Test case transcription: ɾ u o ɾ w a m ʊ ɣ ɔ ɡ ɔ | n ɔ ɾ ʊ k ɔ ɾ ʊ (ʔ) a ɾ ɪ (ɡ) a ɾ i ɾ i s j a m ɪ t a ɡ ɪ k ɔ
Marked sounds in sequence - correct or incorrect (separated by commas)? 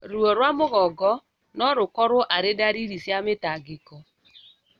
correct, incorrect